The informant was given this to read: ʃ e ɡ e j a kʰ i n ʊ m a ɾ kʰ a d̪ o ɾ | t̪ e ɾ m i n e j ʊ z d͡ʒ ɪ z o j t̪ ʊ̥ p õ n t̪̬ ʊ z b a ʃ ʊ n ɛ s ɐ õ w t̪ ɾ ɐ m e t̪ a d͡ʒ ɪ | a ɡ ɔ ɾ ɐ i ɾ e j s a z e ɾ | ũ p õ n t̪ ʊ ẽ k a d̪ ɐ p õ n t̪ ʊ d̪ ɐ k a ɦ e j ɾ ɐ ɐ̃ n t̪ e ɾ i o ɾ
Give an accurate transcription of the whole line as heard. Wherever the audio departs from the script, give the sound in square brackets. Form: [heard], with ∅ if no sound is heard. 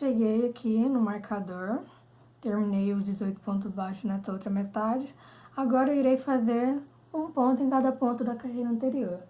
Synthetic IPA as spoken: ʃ e ɡ e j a kʰ i n ʊ m a ɾ kʰ a d̪ o ɾ | t̪ e ɾ m i n e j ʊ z d͡ʒ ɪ z o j t̪ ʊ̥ p õ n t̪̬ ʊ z b a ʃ ʊ n ɛ s ɐ [o] w t̪ ɾ ɐ m e t̪ a d͡ʒ ɪ | a ɡ ɔ ɾ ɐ i ɾ e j [f] a z e ɾ | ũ p õ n t̪ ʊ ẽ k a d̪ ɐ p õ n t̪ ʊ d̪ ɐ k a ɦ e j ɾ ɐ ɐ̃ n t̪ e ɾ i o ɾ

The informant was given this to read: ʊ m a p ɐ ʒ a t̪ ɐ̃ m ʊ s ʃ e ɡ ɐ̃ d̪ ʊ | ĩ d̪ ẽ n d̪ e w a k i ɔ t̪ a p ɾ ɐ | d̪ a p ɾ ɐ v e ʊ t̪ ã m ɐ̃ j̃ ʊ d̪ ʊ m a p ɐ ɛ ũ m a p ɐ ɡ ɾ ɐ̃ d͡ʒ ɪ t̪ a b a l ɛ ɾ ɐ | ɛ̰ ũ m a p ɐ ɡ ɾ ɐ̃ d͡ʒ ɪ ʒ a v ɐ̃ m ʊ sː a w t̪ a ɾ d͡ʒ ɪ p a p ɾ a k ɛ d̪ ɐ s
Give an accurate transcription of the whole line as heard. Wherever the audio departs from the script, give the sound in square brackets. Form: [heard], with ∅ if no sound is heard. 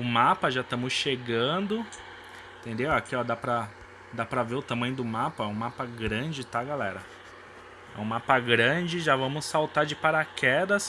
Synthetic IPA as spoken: ʊ m a p ɐ ʒ a t̪ ɐ̃ m ʊ s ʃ e ɡ ɐ̃ d̪ ʊ | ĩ [t̪] ẽ n d̪ e w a k i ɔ [d̪] a p ɾ ɐ | d̪ a p ɾ ɐ v e ʊ t̪ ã m ɐ̃ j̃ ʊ d̪ ʊ m a p ɐ ɛ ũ m a p ɐ ɡ ɾ ɐ̃ d͡ʒ ɪ t̪ a [ɡ] a l ɛ ɾ ɐ | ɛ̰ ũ m a p ɐ ɡ ɾ ɐ̃ d͡ʒ ɪ ʒ a v ɐ̃ m ʊ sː a w t̪ a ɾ d͡ʒ ɪ p a [∅] ɾ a k ɛ d̪ ɐ s

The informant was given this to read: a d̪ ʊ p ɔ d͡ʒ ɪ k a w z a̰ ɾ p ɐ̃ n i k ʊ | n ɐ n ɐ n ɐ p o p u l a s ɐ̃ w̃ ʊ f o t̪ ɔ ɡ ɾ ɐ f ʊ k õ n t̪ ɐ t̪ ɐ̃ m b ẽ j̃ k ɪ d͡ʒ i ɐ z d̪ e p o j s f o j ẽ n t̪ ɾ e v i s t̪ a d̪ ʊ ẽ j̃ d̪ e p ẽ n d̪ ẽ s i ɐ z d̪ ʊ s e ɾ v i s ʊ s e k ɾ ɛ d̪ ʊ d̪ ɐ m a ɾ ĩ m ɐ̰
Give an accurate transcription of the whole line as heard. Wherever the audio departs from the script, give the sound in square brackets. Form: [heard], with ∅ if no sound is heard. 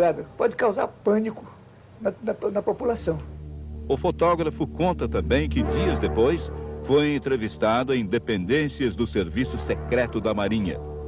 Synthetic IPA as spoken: a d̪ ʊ p ɔ d͡ʒ ɪ k a w z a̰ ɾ p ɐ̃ n i k ʊ | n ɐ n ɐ n ɐ p o p u l a s ɐ̃ w̃ ʊ f o t̪ ɔ ɡ ɾ ɐ f ʊ k õ n t̪ ɐ t̪ ɐ̃ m b ẽ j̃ k ɪ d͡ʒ i ɐ z d̪ e p o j s f o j ẽ n t̪ ɾ e v i s t̪ a d̪ ʊ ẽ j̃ d̪ e p ẽ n d̪ ẽ s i ɐ z d̪ ʊ s e ɾ v i s ʊ s e k ɾ ɛ [t̪] ʊ d̪ ɐ m a ɾ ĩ [ɲ] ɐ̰

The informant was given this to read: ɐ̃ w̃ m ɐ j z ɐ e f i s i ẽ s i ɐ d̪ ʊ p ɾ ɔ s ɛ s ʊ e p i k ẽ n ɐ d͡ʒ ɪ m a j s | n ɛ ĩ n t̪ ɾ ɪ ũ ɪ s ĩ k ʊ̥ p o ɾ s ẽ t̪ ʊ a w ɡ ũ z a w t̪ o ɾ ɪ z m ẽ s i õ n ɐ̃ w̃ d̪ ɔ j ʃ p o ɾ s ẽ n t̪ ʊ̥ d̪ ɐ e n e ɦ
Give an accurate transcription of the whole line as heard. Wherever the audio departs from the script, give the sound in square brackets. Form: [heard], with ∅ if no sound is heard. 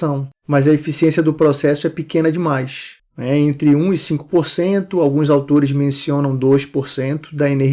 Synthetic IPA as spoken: ɐ̃ w̃ m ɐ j z ɐ e f i s i ẽ s i ɐ d̪ ʊ p ɾ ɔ s ɛ s ʊ [ɛ] p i k ẽ n ɐ d͡ʒ ɪ m a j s | n ɛ [ẽ] n t̪ ɾ ɪ ũ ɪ s ĩ k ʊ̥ p o ɾ s ẽ t̪ ʊ a w ɡ ũ z a w t̪ o ɾ ɪ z m ẽ s i õ n ɐ̃ w̃ d̪ [o] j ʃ p o ɾ s ẽ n t̪ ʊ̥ d̪ ɐ e n e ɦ

